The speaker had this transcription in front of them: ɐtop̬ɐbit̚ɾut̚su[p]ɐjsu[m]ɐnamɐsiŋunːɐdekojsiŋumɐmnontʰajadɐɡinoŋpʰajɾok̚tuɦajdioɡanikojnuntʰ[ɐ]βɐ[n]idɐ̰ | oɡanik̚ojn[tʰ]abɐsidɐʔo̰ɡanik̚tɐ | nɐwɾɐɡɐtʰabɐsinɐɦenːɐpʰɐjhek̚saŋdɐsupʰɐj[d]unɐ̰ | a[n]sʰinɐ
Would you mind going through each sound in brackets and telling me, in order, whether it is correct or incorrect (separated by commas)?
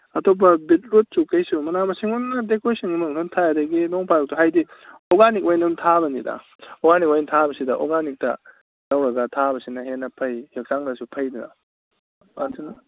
incorrect, correct, incorrect, correct, correct, correct, correct